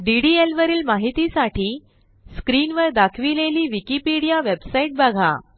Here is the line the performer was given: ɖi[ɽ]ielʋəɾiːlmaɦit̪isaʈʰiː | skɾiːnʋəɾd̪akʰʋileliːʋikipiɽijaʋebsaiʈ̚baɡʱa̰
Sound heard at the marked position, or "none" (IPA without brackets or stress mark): ɽ